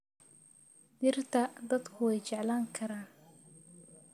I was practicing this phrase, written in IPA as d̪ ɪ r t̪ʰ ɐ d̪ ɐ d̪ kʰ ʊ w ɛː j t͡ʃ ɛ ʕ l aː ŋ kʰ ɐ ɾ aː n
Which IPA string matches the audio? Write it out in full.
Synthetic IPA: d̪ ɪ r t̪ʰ ɐ d̪ ɐ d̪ kʰ ʊ w ɛ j t͡ʃ ɛ ʕ l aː ŋ kʰ ɐ ɾ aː n